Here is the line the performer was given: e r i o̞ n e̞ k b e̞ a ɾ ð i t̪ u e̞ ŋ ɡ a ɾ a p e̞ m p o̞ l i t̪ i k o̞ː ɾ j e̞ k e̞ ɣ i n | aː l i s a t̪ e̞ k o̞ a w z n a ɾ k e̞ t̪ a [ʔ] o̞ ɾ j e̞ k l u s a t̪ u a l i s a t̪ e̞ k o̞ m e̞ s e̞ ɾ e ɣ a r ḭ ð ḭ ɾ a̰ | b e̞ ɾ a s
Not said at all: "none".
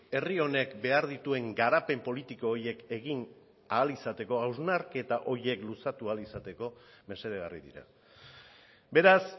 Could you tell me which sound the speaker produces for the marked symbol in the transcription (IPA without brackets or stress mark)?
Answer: ʔ